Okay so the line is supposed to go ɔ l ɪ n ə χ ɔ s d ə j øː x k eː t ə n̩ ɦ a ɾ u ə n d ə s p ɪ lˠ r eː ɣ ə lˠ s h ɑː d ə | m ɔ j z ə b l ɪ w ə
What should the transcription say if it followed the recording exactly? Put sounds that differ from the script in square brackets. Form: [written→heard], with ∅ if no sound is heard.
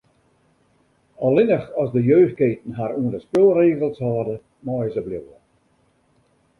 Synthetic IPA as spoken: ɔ l ɪ n ə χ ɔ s d ə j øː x k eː t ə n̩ ɦ a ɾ u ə n d ə s p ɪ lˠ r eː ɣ ə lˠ s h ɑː d ə | m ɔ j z ə b l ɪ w ə

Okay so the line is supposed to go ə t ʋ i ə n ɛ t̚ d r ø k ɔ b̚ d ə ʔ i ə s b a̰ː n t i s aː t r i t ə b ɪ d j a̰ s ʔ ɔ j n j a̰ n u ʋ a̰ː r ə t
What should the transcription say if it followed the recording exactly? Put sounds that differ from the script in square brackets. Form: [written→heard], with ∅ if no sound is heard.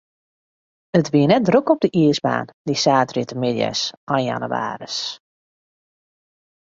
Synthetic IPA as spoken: ə t ʋ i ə n ɛ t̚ d r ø k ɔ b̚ d ə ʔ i ə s b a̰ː n [t→d] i s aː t r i t ə [b→m] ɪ d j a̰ s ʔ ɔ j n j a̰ n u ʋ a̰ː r ə [t→s]

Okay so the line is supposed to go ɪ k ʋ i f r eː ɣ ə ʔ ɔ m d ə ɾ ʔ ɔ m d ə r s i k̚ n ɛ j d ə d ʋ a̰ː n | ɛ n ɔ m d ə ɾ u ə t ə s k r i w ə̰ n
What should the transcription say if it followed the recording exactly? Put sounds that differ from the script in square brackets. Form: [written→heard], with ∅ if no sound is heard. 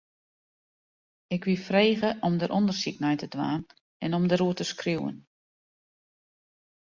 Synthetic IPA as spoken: ɪ k ʋ i f r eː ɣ ə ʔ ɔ m d ə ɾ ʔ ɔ [m→n] d ə r s i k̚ n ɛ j [d→t] ə d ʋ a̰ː n | ɛ n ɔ m d ə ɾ u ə t ə s k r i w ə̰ n

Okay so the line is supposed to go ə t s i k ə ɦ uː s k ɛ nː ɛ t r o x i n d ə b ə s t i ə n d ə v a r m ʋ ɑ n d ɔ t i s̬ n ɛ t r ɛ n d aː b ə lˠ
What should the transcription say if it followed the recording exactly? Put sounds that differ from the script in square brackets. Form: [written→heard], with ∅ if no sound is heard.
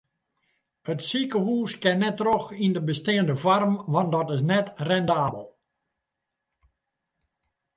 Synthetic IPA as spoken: ə t s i k ə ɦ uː s k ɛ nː ɛ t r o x i n d ə b ə s t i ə n d ə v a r m ʋ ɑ n d ɔ t [i→ɪ] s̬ n ɛ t r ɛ n d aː b ə lˠ

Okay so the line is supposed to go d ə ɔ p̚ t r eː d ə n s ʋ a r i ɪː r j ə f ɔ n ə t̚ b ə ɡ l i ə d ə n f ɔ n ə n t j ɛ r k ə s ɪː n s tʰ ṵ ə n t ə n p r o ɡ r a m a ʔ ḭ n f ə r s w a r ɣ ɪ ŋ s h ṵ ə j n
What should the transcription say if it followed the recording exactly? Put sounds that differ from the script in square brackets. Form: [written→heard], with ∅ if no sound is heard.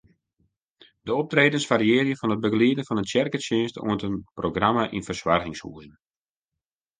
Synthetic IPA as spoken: d ə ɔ p̚ t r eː d ə n s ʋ a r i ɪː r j ə f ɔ n ə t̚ b ə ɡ l i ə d ə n f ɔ n ə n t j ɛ r k ə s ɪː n s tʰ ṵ ə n t ə n p r o ɡ r a m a ʔ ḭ n f ə r s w a r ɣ ɪ ŋ s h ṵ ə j n

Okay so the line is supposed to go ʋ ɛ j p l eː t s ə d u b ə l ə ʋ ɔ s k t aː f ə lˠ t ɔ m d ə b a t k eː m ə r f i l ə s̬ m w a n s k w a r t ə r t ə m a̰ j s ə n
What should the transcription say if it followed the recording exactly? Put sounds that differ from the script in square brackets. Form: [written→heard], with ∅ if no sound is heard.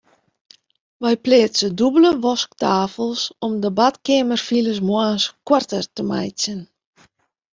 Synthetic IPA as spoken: ʋ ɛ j p l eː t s ə d u b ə l ə ʋ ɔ s k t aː f ə lˠ [t→s] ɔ m d ə b a t k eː m ə r f i l ə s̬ m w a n s k w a r t ə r t ə m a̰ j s ə n

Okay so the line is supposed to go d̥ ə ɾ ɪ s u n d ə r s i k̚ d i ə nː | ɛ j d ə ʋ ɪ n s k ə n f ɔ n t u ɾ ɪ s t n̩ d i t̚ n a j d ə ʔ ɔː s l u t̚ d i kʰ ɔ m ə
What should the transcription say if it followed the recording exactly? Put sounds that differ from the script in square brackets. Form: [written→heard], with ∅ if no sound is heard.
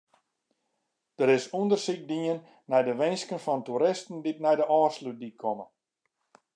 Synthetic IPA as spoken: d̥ ə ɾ ɪ s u n d ə r s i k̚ d i ə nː | ɛ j d ə ʋ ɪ n s k ə n f ɔ n t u ɾ ɪ s t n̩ d i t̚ n [a→ɛ] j d ə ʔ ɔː s l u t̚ d i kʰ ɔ m ə

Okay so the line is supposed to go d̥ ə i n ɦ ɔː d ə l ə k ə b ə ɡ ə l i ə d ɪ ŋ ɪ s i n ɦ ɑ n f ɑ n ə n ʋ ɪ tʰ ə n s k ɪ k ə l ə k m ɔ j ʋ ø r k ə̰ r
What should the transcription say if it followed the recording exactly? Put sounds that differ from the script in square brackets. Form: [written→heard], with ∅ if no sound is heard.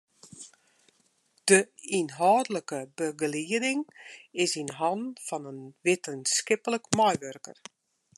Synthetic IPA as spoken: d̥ ə i n ɦ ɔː d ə l ə k ə b ə ɡ ə l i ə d ɪ ŋ ɪ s i n ɦ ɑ n f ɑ n ə n ʋ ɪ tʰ ə n s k ɪ [k→p] ə l ə k m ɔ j ʋ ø r k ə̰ r

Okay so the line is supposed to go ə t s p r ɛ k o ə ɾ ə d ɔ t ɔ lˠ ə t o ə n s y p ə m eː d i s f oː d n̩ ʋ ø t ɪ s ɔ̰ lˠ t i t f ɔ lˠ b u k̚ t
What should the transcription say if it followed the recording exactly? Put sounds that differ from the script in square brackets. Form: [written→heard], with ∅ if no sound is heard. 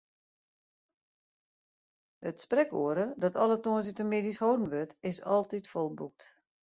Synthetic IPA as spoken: ə t s p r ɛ k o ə ɾ ə d ɔ t ɔ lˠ ə t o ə n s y [p→t] ə m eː d i s [f→h] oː d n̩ ʋ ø t ɪ s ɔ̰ lˠ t i t f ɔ lˠ b u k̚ t

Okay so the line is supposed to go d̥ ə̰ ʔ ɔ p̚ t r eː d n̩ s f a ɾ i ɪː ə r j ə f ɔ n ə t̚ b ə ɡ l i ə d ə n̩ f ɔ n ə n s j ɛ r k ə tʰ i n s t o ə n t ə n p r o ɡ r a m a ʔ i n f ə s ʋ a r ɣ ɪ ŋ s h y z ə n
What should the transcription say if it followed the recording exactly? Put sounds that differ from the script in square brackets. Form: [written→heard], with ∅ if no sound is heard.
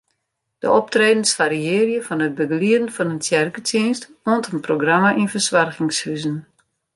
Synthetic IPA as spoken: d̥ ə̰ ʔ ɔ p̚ t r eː d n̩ s f a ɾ i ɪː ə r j ə f ɔ n ə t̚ b ə ɡ l i ə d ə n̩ f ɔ n ə n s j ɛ r k ə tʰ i n s t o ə n t ə n p r o ɡ r a m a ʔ i n f ə s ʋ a r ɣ ɪ ŋ s h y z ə n

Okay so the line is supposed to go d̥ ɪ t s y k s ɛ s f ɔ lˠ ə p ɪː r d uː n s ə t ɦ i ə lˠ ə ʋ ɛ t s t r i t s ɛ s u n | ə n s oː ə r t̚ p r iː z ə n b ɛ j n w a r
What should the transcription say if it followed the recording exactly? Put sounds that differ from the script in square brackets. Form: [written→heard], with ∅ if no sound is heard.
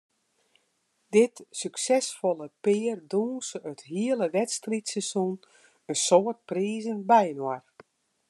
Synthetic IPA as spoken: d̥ ɪ t s y k s ɛ s f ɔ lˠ ə p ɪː r d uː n s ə t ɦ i ə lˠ ə ʋ ɛ t s t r i t s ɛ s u n | ə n s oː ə r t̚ p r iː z ə n b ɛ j n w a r

